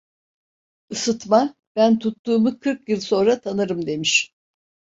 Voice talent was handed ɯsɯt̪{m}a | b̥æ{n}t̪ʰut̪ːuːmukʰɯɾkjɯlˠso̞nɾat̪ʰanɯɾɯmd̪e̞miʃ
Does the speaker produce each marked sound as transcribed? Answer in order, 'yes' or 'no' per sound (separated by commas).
yes, yes